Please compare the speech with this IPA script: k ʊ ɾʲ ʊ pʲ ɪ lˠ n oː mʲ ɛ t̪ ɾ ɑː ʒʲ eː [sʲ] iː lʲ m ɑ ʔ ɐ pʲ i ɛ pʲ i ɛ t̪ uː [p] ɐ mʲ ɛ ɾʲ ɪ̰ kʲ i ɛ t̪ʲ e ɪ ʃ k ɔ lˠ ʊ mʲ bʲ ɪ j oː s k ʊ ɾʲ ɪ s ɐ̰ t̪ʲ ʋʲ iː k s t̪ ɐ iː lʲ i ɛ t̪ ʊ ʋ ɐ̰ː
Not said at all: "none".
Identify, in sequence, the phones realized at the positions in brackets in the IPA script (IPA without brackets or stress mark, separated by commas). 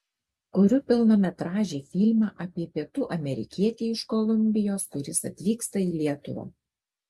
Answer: fʲ, ʔ